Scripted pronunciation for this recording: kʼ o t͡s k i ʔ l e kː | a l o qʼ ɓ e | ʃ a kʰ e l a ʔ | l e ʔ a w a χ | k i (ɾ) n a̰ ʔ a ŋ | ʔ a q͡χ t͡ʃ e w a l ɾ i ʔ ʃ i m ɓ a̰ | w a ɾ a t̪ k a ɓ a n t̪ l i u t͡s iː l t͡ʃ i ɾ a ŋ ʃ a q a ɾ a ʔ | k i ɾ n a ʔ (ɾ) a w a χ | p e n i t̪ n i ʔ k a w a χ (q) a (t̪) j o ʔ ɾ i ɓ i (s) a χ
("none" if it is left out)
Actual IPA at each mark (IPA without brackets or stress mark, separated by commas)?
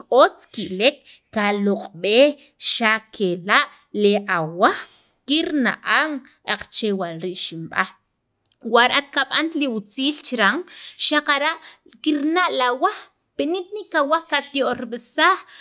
ɾ, l, k, t̪, s